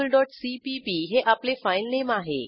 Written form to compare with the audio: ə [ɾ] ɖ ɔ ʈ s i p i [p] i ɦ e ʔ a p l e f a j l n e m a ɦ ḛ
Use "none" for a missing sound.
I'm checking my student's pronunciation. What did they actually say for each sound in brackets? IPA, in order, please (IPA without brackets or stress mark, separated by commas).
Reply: l, p